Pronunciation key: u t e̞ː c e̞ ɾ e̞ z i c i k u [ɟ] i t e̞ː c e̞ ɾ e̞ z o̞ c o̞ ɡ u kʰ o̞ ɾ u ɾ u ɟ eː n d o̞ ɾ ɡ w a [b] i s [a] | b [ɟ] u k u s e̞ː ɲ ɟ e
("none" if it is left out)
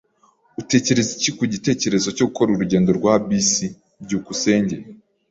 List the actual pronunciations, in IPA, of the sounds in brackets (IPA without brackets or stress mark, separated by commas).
ɟ, b, i, ɟ